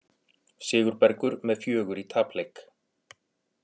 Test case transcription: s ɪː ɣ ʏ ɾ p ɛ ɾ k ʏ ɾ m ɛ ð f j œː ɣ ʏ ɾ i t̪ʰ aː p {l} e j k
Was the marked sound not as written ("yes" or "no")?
no